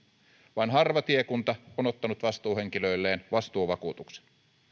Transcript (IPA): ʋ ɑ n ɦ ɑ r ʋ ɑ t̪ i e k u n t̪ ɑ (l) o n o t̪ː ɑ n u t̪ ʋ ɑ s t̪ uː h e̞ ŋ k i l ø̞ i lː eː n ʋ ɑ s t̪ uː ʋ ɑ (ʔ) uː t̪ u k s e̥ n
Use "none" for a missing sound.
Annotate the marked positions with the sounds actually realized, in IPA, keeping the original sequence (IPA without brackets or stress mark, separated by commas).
none, k